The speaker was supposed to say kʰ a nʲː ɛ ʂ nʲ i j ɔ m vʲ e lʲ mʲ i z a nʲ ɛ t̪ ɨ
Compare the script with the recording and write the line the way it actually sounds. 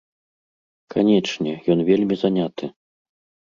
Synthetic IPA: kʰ a nʲ ɛ t͡ʂ nʲ ɛ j ɔ n vʲ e lʲ mʲ i z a nʲ a t̪ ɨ